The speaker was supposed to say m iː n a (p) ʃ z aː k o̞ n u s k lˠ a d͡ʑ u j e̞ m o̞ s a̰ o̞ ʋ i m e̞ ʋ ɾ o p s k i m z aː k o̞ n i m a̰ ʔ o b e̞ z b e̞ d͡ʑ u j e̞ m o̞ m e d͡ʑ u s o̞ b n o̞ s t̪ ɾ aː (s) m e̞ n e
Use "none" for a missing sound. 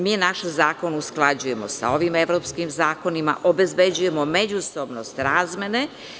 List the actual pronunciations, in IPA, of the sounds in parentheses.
none, z

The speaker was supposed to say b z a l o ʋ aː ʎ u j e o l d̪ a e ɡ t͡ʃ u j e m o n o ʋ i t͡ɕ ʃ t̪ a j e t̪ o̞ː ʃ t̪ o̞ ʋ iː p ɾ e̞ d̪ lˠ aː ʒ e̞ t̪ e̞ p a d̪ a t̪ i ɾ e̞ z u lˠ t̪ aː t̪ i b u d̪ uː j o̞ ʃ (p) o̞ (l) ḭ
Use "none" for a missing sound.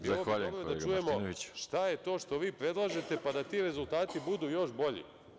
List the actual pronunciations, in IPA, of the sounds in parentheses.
b, ʎ

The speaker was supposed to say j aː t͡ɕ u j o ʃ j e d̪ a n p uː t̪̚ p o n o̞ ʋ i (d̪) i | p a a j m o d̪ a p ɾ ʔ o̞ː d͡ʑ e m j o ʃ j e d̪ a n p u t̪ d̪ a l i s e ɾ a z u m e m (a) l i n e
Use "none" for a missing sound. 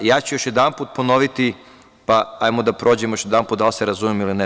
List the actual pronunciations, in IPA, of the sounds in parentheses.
t̪, i

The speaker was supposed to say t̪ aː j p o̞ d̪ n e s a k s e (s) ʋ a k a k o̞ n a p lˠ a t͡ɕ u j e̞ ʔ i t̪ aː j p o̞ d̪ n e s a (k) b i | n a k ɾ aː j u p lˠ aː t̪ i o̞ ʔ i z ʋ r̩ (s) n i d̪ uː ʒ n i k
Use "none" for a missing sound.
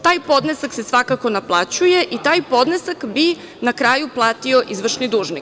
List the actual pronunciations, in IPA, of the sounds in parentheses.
s, k, ʃ

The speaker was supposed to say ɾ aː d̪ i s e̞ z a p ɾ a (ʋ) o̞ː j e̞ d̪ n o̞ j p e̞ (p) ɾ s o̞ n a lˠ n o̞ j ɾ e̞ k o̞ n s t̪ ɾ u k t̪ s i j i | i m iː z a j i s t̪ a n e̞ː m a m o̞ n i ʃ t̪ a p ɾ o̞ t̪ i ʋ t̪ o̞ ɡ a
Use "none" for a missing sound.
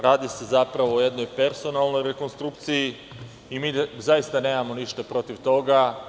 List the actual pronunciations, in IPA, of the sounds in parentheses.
ʋ, none

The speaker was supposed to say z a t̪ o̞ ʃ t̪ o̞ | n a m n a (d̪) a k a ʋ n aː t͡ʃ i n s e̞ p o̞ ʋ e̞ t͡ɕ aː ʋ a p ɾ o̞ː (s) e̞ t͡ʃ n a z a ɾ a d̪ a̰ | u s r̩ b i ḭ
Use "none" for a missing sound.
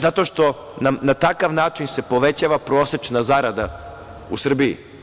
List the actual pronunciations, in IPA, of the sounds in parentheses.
t̪, s

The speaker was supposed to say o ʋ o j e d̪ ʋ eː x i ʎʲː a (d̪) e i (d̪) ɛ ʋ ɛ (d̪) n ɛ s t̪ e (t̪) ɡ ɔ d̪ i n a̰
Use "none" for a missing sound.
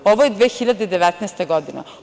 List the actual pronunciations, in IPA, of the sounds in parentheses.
d̪, d̪, t̪, none

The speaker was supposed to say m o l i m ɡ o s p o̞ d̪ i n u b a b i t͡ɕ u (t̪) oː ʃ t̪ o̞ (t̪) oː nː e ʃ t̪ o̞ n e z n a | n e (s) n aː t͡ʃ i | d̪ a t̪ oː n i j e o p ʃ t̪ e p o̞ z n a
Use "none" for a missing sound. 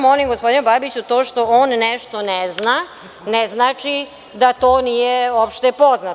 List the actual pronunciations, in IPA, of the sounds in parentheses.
t̪, none, z

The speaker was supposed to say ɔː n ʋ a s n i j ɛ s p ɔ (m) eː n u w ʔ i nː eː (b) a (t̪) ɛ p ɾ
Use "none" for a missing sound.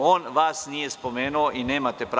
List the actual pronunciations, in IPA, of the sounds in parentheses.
m, m, t̪

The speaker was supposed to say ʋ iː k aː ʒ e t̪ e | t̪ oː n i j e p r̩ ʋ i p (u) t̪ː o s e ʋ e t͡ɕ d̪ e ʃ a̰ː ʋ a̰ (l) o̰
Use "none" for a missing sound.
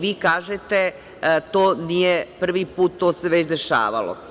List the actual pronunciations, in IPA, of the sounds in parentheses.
uː, l

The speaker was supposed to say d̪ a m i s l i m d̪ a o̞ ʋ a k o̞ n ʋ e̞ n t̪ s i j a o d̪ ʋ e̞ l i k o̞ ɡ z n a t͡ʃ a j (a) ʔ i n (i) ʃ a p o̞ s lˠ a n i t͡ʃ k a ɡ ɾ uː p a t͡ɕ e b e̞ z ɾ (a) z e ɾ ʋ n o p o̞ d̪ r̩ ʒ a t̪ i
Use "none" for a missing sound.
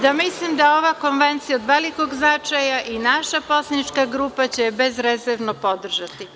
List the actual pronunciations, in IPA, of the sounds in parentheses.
a, a, e

